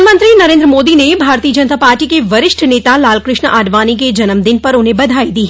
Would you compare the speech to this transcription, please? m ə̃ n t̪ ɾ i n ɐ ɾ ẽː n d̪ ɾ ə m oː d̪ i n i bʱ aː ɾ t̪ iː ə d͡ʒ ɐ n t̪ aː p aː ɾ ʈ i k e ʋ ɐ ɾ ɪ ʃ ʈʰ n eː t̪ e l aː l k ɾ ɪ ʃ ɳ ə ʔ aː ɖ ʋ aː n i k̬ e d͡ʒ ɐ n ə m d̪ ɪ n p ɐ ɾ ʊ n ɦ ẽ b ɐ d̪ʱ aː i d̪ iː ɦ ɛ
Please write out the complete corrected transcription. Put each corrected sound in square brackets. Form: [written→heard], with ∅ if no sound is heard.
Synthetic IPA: m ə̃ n t̪ ɾ i n ɐ ɾ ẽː n d̪ ɾ ə m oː d̪ i n [i→e] bʱ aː ɾ t̪ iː ə d͡ʒ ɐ n t̪ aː p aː ɾ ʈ i k e ʋ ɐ ɾ ɪ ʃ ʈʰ n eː t̪ [e→a] l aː l k ɾ ɪ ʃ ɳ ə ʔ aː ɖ ʋ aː n i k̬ e d͡ʒ ɐ n ə m d̪ ɪ n p ɐ ɾ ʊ n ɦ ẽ b ɐ d̪ʱ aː i d̪ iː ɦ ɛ